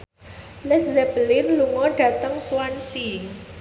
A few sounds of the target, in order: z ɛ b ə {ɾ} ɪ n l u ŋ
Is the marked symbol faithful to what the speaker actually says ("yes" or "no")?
no